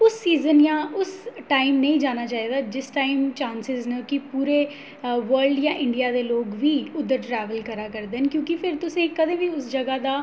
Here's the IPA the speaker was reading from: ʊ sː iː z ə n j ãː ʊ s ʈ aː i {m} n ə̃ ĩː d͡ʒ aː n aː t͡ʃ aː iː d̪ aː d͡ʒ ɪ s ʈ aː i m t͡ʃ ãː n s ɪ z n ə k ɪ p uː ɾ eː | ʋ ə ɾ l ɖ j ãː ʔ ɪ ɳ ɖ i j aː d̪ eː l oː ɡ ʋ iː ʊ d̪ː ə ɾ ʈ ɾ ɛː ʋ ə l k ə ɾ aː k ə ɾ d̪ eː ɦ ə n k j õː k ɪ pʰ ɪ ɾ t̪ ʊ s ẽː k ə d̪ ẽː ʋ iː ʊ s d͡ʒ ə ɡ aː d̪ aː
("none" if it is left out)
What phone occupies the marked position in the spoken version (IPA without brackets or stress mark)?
m